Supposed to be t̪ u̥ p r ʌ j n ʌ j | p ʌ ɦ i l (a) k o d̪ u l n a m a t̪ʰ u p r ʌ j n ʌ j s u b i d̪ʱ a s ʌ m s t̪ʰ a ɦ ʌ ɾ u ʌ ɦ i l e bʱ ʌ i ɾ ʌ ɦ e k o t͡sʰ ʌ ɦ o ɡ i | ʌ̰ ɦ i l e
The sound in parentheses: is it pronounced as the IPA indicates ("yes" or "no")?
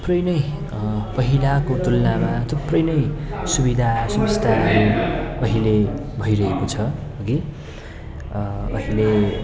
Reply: yes